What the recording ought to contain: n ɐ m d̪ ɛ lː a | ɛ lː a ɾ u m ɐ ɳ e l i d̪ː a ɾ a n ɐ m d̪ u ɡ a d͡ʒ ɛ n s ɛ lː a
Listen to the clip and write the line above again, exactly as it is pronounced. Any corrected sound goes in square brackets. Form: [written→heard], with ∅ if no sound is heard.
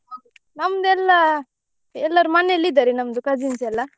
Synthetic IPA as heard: n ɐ m d̪ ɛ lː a | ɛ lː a ɾ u m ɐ [ɳ→n] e l i [d̪ː→d̪] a ɾ [a→i] n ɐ m d̪ u [ɡ→k] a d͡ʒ [ɛ→i] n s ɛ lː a